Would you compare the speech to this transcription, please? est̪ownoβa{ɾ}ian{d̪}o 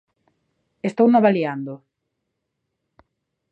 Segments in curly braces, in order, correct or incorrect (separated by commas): incorrect, correct